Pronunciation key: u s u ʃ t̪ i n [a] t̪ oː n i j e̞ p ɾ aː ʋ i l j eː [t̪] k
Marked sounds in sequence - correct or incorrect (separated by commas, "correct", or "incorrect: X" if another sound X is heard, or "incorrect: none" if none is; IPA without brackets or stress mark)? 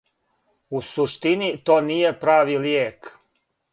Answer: incorrect: i, incorrect: none